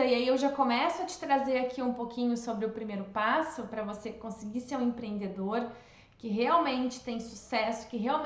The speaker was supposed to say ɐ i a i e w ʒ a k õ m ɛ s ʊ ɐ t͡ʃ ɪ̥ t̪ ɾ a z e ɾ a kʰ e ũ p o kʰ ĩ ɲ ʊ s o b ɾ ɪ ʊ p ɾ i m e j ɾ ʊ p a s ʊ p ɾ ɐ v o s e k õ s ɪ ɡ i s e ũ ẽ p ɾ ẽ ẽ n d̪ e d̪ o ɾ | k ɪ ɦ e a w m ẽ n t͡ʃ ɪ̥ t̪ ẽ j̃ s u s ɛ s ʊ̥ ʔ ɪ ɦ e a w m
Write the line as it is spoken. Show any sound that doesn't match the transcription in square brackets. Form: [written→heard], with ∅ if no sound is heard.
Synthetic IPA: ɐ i a i e w ʒ a k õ m ɛ s ʊ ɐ t͡ʃ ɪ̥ t̪ ɾ a z e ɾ a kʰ [e→i] ũ p o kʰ ĩ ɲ ʊ s o b ɾ ɪ ʊ p ɾ i m e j ɾ ʊ p a s ʊ p ɾ ɐ v o s e k õ s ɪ ɡ i s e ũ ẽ p ɾ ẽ ẽ n d̪ e d̪ o ɾ | k ɪ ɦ e a w m ẽ n t͡ʃ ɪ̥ t̪ ẽ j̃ s u s ɛ s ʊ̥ [ʔ→k] ɪ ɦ e a w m